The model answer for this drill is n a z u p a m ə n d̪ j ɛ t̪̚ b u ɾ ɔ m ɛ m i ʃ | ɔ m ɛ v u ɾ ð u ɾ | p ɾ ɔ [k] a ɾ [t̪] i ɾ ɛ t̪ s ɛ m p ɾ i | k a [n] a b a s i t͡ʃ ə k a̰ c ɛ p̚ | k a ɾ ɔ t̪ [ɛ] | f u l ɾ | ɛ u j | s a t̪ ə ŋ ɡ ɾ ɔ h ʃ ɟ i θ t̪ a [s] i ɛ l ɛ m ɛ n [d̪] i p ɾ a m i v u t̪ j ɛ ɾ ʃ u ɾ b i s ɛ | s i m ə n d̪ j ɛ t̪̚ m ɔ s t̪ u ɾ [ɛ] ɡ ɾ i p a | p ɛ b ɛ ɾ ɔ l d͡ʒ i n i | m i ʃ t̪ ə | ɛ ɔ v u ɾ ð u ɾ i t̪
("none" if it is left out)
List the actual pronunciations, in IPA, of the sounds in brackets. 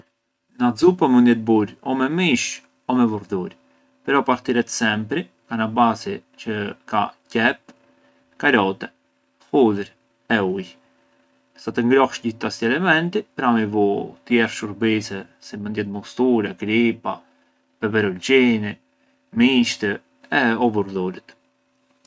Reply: p, t̪, n, ɛ, s, t̪, ɛ

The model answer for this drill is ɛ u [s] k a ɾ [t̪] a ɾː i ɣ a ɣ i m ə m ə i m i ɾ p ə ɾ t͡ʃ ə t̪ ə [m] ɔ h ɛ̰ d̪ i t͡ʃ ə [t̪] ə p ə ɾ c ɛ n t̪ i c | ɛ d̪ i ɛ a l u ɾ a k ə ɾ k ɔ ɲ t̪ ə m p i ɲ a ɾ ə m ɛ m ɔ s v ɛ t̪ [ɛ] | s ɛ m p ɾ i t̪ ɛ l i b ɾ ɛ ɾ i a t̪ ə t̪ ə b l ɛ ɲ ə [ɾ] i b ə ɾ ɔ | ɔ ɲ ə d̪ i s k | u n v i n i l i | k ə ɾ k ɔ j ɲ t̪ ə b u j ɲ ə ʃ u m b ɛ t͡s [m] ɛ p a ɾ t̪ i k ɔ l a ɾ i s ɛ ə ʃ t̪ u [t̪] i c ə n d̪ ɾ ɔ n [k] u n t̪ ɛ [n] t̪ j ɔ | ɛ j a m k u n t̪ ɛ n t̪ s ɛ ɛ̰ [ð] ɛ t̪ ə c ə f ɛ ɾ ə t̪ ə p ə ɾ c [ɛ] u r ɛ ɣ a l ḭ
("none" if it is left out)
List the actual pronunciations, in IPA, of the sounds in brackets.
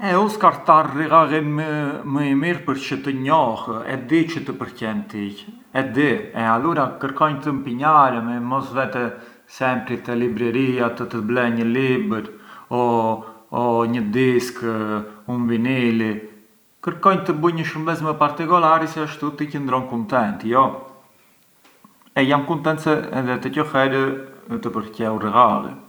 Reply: s, t̪, ɲ, t̪, ɛ, l, m, t̪, k, n, ð, ɛ

